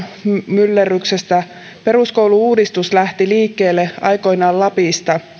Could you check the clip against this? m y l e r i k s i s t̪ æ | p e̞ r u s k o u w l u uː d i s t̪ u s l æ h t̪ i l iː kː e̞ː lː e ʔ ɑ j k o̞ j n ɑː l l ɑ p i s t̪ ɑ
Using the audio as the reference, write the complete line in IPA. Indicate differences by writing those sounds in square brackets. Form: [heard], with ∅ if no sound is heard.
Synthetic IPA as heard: m y [lː] e r [y] k s [e] s t̪ æ | p e̞ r u s k o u w l u uː d i s t̪ u s l æ h t̪ i l iː kː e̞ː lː e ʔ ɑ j k o̞ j n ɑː l l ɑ p i s t̪ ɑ

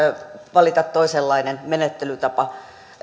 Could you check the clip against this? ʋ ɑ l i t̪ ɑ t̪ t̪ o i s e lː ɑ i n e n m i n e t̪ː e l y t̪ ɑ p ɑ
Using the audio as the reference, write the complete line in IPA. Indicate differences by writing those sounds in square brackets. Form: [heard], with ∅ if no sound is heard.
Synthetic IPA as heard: ʋ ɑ l i t̪ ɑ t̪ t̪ o i s e lː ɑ i n e n m [e] n e t̪ː e l y t̪ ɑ p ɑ

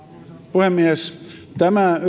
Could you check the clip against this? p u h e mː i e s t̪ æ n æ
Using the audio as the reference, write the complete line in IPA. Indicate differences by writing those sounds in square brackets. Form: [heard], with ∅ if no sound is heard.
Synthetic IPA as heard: p u h e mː i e s t̪ æ [m] æ

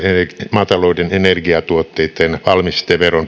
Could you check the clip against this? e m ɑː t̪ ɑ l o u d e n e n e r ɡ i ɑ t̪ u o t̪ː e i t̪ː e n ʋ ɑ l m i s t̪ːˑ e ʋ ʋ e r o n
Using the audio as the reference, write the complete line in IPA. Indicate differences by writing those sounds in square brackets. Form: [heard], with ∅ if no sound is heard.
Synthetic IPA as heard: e m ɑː t̪ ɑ l o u d e n e n e r ɡ i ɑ t̪ u o t̪ː e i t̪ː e n ʋ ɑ l m i s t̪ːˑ e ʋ ʋ e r o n

